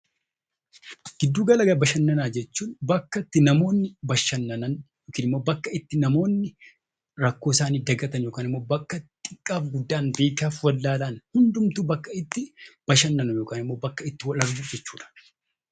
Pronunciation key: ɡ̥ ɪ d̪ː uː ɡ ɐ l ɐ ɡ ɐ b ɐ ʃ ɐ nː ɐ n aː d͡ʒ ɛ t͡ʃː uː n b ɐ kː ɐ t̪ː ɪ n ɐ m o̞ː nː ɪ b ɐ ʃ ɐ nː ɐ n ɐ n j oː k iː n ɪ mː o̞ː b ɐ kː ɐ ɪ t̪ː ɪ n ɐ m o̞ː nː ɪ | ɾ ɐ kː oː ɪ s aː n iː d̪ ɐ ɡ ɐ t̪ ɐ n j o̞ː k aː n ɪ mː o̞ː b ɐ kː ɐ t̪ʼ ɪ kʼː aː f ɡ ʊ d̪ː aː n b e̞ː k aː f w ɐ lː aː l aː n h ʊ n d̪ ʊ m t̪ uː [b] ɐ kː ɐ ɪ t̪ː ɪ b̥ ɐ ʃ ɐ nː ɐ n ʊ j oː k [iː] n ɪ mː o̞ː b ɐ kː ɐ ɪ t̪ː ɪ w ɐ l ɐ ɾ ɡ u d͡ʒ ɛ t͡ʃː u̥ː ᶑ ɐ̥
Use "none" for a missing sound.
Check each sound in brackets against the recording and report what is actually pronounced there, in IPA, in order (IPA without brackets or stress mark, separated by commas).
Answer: b, aː